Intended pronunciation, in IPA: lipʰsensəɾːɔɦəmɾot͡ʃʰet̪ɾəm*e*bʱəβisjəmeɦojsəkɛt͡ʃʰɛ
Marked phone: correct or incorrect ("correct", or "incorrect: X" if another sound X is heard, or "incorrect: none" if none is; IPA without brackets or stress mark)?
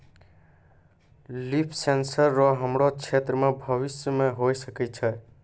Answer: correct